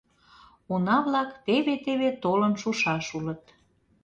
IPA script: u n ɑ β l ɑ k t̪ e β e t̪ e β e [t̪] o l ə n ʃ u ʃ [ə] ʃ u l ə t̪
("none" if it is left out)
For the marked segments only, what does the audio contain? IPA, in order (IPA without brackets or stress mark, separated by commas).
t̪, ɑ